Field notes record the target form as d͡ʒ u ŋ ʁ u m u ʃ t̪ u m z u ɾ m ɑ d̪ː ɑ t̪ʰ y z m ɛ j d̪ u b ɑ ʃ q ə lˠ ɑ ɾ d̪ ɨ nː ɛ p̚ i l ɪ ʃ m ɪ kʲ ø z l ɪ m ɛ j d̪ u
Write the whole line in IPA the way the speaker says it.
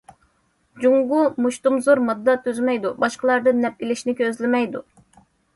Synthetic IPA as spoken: d͡ʒ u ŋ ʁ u m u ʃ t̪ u m z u ɾ m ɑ d̪ː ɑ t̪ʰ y z m ɛ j d̪ u b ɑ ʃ q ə lˠ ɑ ɾ d̪ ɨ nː ɛ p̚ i l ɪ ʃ n ɪ kʲ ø z l ɪ m ɛ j d̪ u